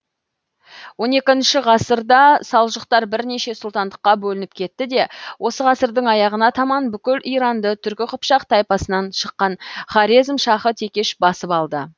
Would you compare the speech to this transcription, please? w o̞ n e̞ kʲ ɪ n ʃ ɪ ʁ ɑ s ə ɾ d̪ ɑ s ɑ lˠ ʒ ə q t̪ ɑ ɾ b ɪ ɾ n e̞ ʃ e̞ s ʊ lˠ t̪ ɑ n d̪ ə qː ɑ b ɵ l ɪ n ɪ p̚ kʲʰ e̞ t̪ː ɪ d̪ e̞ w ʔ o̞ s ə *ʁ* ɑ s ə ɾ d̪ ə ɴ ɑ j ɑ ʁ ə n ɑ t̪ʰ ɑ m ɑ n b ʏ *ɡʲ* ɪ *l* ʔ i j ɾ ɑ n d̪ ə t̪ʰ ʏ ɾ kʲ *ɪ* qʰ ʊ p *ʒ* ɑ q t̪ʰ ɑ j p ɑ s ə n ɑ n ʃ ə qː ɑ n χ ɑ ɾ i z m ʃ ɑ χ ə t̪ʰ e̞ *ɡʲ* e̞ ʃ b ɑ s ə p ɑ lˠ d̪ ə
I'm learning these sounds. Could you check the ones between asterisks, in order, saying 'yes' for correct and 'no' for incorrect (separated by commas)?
yes, no, yes, yes, no, no